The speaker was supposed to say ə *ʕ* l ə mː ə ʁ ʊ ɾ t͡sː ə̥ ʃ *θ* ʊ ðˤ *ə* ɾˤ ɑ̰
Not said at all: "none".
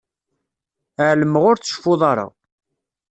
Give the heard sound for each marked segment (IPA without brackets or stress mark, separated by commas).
ʕ, f, ɑ